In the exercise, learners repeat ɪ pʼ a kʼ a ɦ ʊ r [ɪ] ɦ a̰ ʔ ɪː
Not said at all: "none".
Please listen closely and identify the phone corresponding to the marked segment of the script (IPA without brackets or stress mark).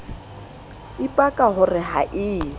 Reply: ɪ